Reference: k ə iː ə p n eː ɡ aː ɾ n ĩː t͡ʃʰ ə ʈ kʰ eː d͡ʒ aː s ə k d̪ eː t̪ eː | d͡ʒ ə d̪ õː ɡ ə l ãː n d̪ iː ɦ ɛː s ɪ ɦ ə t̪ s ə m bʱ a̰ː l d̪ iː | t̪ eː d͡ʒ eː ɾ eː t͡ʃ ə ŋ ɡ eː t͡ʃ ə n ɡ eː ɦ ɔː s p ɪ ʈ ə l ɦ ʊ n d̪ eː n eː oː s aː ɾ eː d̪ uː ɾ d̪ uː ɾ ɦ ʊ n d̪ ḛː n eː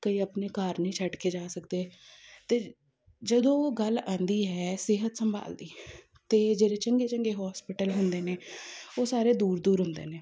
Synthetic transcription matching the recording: k ə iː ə p n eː k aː ɾ n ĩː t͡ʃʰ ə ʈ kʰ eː d͡ʒ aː s ə k d̪ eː t̪ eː | d͡ʒ ə d̪ õː ɡ ə l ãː n d̪ iː ɦ ɛː s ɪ ɦ ə t̪ s ə m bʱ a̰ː l d̪ iː | t̪ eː d͡ʒ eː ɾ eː t͡ʃ ə ŋ ɡ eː t͡ʃ ə ŋ ɡ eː ɦ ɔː s p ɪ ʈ ə l ɦ ʊ n d̪ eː n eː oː s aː ɾ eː d̪ uː ɾ d̪ uː ɾ ɦ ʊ n d̪ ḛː n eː